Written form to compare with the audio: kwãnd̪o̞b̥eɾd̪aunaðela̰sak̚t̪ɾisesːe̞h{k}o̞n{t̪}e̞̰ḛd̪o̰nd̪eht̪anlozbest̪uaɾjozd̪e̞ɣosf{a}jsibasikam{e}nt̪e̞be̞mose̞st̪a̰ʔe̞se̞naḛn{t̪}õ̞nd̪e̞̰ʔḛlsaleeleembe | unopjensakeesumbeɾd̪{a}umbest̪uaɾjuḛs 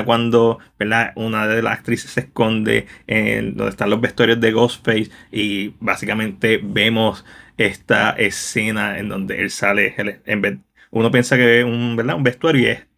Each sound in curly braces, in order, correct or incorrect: correct, incorrect: d̪, incorrect: e, incorrect: ẽ, incorrect: d̪, correct

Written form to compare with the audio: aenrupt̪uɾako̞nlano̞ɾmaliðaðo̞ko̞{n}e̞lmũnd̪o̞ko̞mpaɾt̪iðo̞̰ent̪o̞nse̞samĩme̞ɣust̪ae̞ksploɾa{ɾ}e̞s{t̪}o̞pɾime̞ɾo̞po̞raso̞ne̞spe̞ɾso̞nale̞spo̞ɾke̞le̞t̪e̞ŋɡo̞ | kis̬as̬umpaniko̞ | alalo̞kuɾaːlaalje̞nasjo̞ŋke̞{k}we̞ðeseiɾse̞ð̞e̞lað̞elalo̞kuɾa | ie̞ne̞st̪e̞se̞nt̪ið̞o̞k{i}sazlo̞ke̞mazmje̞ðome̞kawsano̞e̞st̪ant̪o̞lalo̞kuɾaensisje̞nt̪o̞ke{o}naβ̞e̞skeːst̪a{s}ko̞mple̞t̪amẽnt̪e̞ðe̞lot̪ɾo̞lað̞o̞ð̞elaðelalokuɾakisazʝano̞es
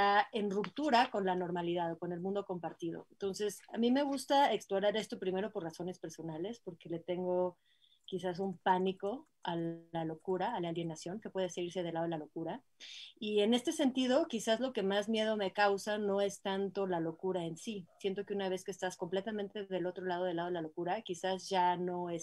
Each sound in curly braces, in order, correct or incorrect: correct, correct, correct, incorrect: p, correct, incorrect: u, correct

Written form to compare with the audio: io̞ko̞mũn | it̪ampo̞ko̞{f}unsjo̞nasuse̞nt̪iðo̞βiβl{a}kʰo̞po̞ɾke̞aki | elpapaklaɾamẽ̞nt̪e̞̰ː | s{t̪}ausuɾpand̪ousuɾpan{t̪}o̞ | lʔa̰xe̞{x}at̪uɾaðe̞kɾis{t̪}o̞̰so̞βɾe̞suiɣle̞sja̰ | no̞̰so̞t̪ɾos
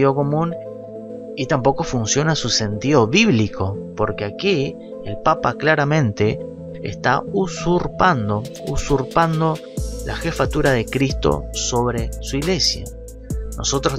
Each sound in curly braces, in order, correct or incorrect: correct, incorrect: i, correct, incorrect: d̪, incorrect: f, correct

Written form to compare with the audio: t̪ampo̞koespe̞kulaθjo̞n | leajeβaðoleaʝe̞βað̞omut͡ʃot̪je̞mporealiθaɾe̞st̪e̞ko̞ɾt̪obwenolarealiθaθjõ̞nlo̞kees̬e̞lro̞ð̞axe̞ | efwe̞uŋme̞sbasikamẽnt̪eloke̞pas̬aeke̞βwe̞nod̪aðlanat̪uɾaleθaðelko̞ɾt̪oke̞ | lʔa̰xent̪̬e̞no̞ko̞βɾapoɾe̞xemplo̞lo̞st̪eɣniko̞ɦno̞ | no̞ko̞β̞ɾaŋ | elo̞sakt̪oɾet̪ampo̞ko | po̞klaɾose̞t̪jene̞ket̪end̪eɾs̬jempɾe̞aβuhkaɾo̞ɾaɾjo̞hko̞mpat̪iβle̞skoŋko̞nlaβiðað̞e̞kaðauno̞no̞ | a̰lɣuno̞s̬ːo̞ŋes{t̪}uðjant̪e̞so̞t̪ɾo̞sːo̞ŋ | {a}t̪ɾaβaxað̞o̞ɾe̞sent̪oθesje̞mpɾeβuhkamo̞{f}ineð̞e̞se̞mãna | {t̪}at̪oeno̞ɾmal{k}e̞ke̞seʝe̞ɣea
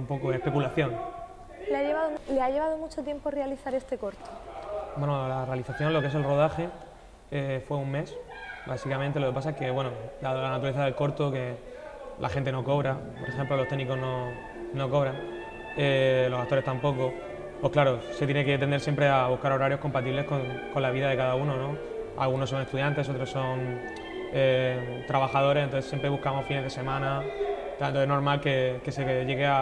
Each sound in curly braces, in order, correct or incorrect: correct, incorrect: e, correct, correct, correct

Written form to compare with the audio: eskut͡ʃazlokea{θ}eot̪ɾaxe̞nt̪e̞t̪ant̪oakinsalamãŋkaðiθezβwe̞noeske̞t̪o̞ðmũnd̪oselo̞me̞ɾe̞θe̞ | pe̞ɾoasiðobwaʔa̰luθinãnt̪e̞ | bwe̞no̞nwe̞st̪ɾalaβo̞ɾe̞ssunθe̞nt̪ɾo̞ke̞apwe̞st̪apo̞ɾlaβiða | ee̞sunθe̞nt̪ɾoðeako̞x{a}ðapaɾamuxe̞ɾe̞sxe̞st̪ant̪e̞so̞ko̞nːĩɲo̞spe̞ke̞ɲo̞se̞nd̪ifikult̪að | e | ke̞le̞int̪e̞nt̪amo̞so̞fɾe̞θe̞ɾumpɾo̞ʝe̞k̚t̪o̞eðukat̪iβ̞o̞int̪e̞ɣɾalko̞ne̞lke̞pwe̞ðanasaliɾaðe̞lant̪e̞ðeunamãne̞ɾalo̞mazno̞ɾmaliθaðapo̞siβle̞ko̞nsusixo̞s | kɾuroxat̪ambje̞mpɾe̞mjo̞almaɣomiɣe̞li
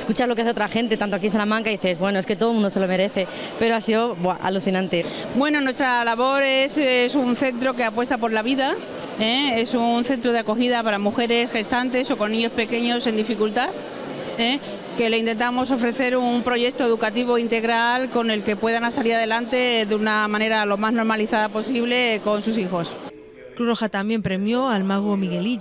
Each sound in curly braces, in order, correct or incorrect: correct, incorrect: i

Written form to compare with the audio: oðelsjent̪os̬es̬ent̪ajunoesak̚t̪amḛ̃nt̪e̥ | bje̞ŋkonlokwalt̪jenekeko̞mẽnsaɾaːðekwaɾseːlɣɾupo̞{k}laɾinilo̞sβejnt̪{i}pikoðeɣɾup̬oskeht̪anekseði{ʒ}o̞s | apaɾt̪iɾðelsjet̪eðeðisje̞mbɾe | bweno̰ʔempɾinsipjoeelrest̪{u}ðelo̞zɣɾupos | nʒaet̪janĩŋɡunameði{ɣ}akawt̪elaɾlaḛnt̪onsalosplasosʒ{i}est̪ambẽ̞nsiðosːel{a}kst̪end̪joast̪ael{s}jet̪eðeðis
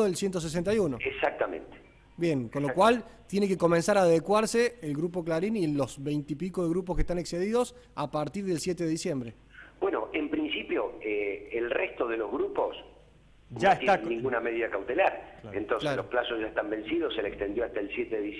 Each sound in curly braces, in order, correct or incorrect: correct, correct, incorrect: ð, incorrect: o, incorrect: ð, incorrect: a, incorrect: e, correct

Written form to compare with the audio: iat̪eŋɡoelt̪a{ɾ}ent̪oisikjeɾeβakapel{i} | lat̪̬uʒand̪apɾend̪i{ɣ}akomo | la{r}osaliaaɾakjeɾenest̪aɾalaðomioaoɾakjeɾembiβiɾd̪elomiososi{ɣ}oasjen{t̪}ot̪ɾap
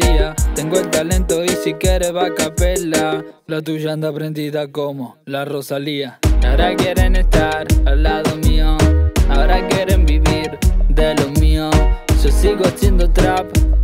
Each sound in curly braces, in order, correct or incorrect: incorrect: l, incorrect: a, incorrect: ð, correct, correct, incorrect: d̪

